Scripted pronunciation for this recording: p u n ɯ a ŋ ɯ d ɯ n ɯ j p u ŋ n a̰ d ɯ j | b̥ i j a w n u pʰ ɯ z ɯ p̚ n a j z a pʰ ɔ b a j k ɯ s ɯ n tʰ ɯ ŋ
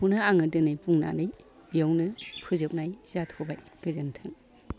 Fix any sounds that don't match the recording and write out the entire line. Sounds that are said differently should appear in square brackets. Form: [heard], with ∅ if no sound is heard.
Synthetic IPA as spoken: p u n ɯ a ŋ ɯ d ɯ n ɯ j p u ŋ n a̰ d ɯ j | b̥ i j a w n [ɯ] pʰ ɯ z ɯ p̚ n a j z a [tʰ] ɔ b a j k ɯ [z] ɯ n tʰ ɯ ŋ